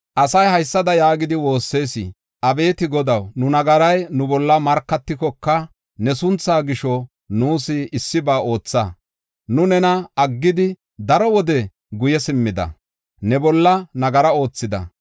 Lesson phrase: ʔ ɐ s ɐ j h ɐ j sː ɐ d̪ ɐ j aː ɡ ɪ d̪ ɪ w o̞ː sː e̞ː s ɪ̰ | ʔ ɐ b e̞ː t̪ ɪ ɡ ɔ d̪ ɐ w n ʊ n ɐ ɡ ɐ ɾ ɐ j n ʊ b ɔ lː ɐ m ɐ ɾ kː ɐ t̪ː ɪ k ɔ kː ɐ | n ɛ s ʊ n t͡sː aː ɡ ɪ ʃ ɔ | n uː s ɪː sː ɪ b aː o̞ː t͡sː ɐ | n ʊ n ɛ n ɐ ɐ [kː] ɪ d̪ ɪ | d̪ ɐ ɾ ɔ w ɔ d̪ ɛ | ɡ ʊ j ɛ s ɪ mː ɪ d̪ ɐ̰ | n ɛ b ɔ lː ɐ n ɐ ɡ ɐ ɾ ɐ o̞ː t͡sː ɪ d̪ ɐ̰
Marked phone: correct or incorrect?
incorrect